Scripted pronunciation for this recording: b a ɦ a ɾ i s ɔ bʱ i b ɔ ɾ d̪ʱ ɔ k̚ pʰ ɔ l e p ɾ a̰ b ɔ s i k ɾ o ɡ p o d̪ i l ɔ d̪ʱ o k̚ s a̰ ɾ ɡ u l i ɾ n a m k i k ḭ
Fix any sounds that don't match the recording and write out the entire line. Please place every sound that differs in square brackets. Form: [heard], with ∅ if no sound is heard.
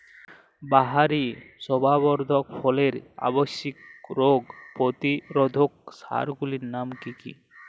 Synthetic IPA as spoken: b a ɦ a ɾ i s ɔ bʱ [a] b ɔ ɾ d̪ʱ ɔ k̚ pʰ ɔ l e [∅] ɾ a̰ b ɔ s i k ɾ o ɡ p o [t̪] i [ɾ] ɔ d̪ʱ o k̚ s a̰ ɾ ɡ u l i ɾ n a m k i k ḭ